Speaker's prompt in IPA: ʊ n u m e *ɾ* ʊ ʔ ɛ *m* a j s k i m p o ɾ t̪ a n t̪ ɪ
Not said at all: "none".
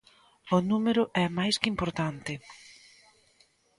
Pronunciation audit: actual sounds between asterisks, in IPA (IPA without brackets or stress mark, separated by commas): ɾ, m